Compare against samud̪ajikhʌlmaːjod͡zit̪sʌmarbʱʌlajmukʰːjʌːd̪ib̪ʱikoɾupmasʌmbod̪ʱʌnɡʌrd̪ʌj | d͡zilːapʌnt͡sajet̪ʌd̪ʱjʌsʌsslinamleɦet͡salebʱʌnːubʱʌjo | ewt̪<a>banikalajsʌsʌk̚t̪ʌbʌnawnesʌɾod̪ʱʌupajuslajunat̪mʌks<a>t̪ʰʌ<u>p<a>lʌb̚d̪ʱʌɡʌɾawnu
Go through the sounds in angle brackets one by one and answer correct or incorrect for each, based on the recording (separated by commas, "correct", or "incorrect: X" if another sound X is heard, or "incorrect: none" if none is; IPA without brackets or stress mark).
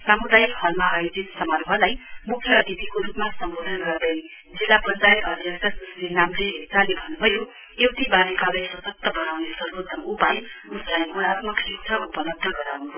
incorrect: i, incorrect: i, correct, incorrect: ʌ